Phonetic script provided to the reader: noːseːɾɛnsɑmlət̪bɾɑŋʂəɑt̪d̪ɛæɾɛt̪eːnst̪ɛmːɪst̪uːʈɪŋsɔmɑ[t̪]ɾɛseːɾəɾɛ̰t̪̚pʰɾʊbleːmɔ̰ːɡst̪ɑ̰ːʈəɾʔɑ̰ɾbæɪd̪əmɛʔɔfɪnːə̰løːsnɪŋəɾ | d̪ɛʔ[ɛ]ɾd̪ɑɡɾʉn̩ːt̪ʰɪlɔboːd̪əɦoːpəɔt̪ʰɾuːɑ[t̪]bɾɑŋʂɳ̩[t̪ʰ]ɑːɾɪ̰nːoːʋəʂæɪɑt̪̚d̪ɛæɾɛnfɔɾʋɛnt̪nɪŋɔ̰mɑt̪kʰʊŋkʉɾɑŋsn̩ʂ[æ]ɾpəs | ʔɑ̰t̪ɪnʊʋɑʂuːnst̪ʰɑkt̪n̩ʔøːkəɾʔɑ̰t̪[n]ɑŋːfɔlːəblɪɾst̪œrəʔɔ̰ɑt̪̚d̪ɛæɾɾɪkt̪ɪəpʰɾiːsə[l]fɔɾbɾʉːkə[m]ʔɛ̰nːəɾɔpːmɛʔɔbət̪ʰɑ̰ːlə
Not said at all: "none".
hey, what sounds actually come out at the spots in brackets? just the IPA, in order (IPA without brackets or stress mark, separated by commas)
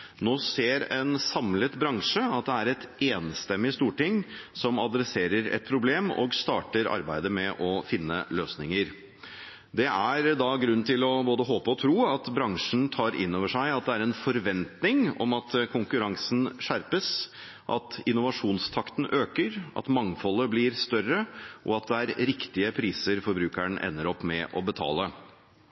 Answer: d̪, æ, t̪, t̪ʰ, æ, m, ɾ, ɳ